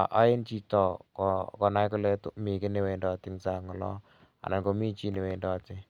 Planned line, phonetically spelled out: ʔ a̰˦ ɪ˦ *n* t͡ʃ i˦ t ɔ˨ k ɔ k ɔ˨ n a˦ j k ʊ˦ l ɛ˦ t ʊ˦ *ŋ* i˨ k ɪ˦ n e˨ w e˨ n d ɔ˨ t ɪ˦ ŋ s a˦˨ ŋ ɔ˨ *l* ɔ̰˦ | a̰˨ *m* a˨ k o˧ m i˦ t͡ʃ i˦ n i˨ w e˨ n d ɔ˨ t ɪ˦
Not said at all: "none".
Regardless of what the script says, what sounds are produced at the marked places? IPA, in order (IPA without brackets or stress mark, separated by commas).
n, m, l, n